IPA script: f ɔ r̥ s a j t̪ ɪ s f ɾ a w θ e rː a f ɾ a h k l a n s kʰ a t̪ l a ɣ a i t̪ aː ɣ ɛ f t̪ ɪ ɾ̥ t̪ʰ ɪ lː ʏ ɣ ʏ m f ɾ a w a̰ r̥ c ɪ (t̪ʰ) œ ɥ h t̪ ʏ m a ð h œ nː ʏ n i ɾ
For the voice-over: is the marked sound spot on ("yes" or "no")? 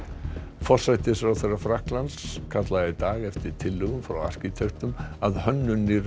yes